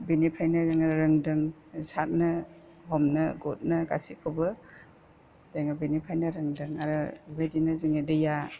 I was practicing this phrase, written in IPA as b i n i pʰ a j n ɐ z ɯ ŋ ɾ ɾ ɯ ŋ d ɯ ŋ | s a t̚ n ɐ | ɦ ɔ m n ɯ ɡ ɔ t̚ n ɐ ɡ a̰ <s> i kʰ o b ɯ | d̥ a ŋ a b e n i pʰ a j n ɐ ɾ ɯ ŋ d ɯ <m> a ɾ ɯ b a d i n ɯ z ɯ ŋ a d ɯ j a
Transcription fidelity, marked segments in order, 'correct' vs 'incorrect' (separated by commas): correct, incorrect